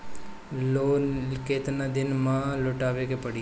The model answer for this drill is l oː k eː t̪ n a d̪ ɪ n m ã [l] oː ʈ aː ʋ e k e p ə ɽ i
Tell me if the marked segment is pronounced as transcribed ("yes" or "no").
yes